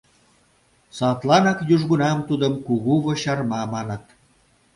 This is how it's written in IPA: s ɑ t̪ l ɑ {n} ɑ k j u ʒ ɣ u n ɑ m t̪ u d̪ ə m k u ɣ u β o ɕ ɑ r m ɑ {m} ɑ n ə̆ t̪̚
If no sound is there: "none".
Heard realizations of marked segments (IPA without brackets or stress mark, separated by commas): n, m